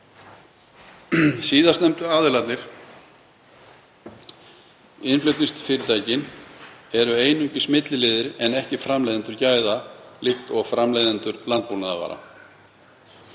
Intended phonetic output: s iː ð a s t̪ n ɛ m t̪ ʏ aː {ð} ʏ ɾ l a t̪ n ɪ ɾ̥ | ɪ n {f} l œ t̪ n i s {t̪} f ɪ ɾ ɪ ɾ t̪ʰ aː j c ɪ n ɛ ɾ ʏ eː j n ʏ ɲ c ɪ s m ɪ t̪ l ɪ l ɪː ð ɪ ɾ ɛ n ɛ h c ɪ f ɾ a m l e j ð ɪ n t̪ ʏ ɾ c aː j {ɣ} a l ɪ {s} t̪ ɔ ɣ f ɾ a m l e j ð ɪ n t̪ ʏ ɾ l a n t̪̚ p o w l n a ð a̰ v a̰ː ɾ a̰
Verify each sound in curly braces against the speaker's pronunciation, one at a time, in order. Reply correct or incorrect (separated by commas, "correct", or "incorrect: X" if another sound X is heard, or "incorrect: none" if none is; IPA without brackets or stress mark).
correct, correct, correct, incorrect: ð, incorrect: x